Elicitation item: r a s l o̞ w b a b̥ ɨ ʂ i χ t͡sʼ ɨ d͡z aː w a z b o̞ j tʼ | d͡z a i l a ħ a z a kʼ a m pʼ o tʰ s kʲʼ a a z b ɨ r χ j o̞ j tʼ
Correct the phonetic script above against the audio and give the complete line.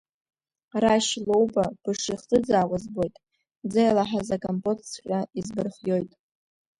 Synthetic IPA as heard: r a ʃ l o̞ w b a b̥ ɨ ʂ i χ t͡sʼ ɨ d͡z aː w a z b o̞ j tʼ | d͡z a j l a ħ a z a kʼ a m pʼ o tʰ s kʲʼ a i z b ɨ r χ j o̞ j tʼ